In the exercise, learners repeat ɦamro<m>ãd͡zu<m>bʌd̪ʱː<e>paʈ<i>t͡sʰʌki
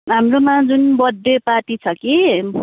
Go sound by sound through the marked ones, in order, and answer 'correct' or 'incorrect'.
correct, incorrect, correct, correct

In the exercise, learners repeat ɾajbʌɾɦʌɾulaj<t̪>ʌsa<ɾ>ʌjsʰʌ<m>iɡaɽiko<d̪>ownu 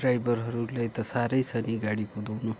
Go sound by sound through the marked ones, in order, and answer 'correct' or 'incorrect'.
correct, correct, incorrect, correct

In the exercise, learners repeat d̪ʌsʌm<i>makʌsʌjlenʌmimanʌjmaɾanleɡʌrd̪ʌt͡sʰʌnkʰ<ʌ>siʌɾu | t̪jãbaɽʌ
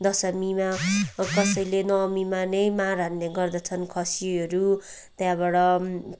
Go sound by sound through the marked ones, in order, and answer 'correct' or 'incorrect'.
correct, correct

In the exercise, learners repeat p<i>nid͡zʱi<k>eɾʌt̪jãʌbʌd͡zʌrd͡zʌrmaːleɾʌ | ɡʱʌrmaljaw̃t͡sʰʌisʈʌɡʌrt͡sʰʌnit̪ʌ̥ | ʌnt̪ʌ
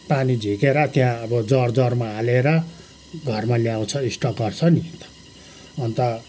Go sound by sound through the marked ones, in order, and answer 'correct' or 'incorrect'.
incorrect, correct

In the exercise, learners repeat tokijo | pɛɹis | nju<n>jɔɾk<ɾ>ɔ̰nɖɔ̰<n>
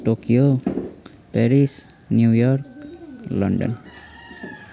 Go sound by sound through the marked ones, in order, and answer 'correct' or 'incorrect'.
incorrect, incorrect, correct

